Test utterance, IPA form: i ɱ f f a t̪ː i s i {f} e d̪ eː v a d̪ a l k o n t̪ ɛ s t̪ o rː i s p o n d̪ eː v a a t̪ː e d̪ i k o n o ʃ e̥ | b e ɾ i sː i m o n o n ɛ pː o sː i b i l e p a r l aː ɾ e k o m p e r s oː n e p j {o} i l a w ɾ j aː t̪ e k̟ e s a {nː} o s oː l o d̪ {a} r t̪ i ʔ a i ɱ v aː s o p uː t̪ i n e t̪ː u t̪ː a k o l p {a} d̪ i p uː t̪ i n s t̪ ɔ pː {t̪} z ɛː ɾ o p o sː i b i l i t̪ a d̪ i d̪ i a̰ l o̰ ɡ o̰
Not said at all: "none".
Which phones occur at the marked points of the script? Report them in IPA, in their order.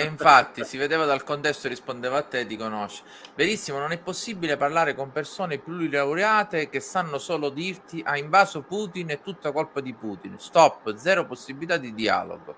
v, u, nː, i, a, d̪

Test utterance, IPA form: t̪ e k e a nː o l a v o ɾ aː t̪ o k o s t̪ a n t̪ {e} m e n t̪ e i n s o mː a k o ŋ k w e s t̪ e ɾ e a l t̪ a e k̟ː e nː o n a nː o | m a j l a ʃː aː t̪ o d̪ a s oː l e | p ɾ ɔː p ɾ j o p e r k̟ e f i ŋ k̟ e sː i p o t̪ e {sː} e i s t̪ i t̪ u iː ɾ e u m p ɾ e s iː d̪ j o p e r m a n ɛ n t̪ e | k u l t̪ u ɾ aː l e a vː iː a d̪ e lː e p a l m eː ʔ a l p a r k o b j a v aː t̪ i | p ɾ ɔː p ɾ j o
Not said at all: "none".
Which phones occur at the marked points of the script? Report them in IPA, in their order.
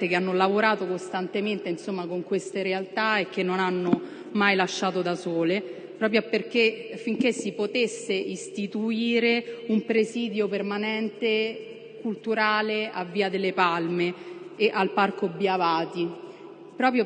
e, sː

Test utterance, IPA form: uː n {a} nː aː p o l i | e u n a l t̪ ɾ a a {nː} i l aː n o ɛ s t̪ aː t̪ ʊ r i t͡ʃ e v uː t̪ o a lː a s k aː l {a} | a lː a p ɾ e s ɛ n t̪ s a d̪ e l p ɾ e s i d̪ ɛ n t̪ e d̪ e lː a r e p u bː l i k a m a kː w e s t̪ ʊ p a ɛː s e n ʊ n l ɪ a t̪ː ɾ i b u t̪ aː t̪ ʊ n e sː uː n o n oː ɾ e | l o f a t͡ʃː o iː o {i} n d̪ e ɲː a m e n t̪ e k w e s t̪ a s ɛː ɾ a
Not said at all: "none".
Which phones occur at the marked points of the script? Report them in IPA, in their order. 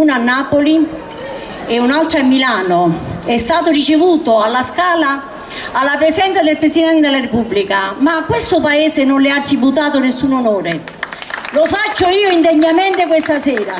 a, mː, a, i

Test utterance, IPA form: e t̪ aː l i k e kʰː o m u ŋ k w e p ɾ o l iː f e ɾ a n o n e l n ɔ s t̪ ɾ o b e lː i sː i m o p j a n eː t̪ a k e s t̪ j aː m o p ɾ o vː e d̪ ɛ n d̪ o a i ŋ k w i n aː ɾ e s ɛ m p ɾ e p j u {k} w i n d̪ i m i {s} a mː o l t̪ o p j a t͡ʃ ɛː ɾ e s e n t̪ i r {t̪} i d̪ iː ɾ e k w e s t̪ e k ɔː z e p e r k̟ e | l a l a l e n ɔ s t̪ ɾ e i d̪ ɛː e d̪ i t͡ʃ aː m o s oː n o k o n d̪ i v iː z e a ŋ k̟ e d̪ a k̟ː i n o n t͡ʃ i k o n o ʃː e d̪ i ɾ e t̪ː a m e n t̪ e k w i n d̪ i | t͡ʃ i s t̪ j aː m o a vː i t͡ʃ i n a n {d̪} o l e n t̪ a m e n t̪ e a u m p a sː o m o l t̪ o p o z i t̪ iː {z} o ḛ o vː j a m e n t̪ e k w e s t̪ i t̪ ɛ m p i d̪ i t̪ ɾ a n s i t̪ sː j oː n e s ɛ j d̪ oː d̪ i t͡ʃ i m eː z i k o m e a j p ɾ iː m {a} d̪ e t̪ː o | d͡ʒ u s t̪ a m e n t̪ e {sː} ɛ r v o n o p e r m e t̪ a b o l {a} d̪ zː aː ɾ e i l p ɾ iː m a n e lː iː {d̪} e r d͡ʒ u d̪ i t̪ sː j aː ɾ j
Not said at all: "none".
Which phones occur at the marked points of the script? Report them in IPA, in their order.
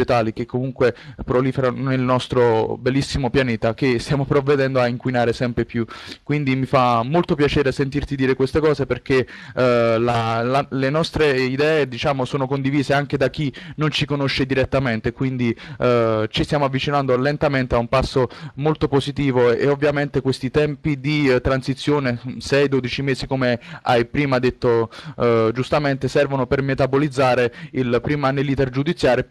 k, f, t̪, d̪, v, a, s, i, t̪

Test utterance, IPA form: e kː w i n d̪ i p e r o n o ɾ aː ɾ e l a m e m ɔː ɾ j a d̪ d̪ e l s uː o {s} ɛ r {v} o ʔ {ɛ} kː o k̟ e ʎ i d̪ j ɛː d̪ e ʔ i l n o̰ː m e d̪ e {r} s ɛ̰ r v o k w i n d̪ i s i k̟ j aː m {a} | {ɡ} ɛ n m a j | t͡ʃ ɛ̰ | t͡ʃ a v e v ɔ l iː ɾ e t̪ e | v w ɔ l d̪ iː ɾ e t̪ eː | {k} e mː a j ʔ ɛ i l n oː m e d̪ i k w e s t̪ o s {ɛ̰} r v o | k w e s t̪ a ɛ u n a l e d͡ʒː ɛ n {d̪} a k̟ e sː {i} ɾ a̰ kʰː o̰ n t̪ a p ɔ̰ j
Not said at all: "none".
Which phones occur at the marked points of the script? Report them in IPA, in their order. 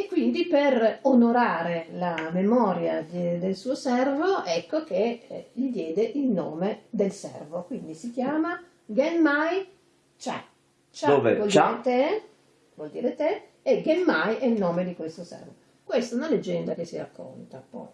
s, v, ɛ, l, a, ɡ, ɡ, ɛ̰, d̪, i

